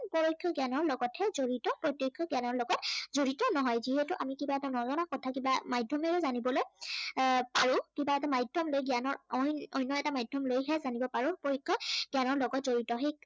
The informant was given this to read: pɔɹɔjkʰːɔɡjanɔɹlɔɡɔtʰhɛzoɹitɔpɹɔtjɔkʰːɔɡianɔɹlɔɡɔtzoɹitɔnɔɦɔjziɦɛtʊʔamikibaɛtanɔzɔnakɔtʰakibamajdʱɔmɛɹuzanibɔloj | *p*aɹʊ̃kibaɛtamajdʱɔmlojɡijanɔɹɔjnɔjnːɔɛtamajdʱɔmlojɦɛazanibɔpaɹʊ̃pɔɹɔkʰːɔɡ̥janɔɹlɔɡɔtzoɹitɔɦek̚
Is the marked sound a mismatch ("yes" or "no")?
no